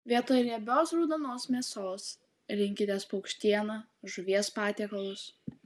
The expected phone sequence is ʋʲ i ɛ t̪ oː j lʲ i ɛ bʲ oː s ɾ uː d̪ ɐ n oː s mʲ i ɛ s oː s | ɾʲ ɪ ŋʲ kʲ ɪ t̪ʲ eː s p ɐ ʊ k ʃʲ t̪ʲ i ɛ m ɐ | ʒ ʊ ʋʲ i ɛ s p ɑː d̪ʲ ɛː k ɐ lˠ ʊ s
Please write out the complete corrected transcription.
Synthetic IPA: ʋʲ i ɛ t̪ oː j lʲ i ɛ bʲ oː s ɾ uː d̪ ɐ n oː s mʲ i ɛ s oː s | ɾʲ ɪ ŋʲ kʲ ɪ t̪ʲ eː s p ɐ ʊ k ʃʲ t̪ʲ i ɛ n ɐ | ʒ ʊ ʋʲ i ɛ s p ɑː t̪ʲ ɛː k ɐ lˠ ʊ s